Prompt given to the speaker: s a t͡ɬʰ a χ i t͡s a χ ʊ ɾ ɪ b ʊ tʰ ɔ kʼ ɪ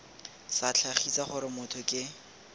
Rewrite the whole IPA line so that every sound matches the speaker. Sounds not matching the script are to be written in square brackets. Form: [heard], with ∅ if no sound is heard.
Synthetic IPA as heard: s a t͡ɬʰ a χ i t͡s a χ ʊ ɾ ɪ [m] ʊ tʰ ɔ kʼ ɪ